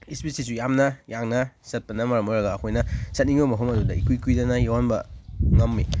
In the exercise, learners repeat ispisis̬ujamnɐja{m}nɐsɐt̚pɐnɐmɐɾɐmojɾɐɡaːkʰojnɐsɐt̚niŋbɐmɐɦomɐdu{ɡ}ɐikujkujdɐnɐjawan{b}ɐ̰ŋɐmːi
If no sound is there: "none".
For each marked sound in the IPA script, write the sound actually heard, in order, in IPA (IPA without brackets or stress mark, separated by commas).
ŋ, d, b